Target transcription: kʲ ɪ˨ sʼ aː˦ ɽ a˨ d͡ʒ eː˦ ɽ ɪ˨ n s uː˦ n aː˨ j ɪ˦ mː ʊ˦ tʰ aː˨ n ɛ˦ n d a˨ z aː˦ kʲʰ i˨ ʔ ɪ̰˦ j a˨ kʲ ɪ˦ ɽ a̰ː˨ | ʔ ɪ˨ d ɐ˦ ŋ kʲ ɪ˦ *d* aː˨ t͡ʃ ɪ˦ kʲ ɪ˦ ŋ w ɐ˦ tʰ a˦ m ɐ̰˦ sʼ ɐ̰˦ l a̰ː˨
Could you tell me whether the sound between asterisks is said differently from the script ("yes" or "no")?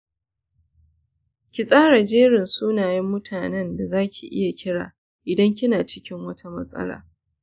yes